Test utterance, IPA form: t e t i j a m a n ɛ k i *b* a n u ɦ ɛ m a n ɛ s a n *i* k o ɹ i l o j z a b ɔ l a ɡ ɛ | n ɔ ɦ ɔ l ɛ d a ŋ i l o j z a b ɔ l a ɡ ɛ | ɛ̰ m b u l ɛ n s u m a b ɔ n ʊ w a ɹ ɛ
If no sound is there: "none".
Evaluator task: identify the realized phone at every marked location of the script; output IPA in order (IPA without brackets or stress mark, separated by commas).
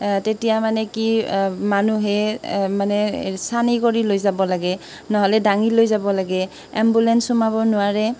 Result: m, i